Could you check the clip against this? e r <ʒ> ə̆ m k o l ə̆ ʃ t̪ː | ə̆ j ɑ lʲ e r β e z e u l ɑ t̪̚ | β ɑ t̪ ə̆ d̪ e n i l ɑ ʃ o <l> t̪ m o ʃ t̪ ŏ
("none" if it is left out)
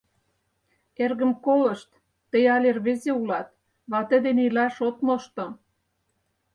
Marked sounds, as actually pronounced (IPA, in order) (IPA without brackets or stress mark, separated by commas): ɣ, none